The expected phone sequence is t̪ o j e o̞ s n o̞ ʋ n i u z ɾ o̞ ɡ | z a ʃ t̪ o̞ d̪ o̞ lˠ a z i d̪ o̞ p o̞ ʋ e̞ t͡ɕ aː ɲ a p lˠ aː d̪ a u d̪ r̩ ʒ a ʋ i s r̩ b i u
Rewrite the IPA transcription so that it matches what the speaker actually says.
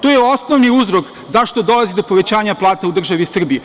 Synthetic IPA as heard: t̪ o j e o̞ s n o̞ ʋ n i u z ɾ o̞ k | z a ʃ t̪ o̞ d̪ o̞ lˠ a z i d̪ o̞ p o̞ ʋ e̞ t͡ɕ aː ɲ a p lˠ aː t̪ a u d̪ r̩ ʒ a ʋ i s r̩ b i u